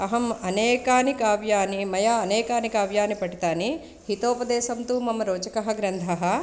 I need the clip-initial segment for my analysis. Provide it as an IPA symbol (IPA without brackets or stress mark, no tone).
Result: ɐ